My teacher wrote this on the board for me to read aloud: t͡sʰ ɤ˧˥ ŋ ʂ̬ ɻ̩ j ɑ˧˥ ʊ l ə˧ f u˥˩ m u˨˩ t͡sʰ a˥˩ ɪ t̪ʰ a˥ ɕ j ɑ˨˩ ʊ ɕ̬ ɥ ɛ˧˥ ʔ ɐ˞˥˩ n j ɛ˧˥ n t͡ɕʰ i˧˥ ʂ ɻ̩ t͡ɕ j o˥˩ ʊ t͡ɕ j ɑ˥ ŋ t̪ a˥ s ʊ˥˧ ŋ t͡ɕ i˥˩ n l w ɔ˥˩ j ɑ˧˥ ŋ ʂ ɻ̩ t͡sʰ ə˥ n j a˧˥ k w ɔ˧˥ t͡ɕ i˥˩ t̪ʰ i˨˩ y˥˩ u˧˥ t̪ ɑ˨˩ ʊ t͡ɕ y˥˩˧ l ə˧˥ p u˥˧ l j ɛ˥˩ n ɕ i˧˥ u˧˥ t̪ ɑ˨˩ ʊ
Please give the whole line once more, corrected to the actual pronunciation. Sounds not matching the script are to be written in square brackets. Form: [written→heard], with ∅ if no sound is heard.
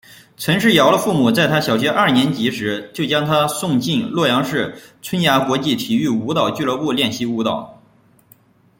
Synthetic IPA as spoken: t͡sʰ ɤ˧˥ ŋ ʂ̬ ɻ̩ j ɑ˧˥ ʊ l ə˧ f u˥˩ m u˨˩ [t͡sʰ→t͡s] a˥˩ ɪ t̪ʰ a˥ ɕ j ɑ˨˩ ʊ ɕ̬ ɥ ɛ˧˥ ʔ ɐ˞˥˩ n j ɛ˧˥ n [t͡ɕʰ→t͡ɕ] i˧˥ ʂ ɻ̩ t͡ɕ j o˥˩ ʊ t͡ɕ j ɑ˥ ŋ [t̪→t̪ʰ] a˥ s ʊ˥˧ ŋ t͡ɕ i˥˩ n l w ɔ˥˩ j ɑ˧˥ ŋ ʂ ɻ̩ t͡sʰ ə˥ n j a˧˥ k w ɔ˧˥ t͡ɕ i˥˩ t̪ʰ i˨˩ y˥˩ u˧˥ t̪ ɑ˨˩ ʊ t͡ɕ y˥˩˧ l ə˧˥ p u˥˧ l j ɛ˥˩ n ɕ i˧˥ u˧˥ t̪ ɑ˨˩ ʊ